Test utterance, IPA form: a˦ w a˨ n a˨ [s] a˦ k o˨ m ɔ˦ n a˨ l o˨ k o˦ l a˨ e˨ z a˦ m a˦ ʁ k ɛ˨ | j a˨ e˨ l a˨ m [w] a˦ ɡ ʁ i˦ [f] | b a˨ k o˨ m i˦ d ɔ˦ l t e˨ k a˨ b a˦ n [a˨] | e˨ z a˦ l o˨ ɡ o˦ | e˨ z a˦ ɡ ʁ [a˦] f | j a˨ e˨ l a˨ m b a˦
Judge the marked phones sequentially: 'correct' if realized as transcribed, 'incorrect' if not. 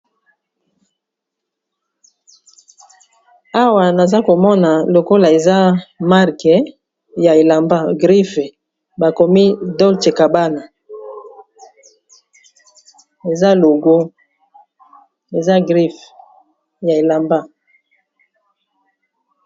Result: incorrect, incorrect, correct, correct, incorrect

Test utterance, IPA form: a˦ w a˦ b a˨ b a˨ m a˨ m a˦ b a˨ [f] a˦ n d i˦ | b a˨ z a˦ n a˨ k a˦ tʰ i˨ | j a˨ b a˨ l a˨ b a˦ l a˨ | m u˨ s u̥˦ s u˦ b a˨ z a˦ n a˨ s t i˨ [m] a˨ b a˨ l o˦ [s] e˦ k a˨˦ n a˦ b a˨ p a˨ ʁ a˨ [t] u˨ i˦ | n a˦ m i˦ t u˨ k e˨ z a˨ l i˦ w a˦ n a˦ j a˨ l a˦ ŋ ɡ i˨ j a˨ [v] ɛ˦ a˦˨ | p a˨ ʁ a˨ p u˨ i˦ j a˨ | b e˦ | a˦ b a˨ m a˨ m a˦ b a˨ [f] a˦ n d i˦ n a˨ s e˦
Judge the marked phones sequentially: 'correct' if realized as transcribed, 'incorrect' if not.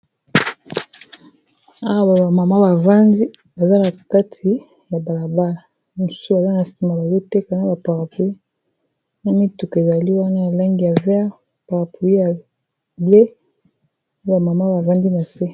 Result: incorrect, correct, incorrect, incorrect, correct, incorrect

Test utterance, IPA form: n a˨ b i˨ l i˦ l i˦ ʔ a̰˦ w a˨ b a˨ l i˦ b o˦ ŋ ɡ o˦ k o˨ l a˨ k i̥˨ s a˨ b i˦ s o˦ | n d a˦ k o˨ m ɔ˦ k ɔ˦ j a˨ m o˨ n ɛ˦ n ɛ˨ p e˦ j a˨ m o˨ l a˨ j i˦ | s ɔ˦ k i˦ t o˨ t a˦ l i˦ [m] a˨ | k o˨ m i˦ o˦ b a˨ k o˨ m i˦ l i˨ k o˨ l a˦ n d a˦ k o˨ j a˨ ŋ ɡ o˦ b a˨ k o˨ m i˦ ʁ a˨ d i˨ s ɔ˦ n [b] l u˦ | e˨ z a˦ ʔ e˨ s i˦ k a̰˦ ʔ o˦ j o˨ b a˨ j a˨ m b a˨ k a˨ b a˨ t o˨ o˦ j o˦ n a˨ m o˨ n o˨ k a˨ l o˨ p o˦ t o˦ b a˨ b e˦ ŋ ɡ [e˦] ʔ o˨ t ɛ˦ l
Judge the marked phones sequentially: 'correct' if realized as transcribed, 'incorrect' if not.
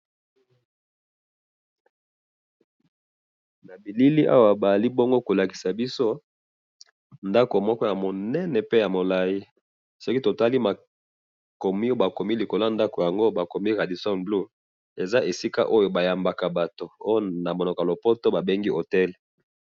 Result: correct, correct, incorrect

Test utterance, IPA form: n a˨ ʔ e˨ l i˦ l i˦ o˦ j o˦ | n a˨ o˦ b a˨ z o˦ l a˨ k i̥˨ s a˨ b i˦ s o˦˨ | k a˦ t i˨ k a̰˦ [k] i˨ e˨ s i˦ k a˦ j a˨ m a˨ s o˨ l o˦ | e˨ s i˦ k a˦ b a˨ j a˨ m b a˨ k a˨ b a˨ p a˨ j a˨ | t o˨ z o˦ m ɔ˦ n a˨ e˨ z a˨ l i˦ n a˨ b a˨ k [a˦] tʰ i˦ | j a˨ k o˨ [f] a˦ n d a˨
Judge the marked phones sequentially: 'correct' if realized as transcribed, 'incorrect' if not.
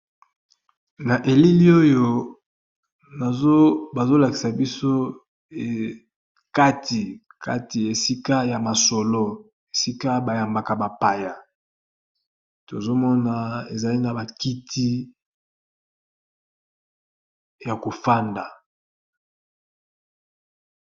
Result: incorrect, incorrect, correct

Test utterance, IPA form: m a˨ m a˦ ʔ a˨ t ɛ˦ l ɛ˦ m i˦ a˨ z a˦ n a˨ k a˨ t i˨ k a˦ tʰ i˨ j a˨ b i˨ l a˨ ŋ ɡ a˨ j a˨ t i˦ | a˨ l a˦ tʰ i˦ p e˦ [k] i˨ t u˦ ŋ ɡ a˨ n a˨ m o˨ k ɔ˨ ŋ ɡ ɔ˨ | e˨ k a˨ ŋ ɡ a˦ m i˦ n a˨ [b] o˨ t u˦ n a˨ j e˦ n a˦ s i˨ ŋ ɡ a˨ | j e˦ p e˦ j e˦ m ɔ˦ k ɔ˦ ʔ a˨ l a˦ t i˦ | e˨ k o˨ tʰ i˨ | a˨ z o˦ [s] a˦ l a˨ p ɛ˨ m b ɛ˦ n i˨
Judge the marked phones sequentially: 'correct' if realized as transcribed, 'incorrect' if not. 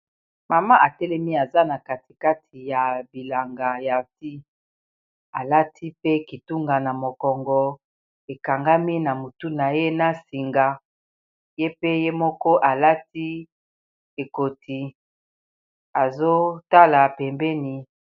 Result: correct, incorrect, incorrect

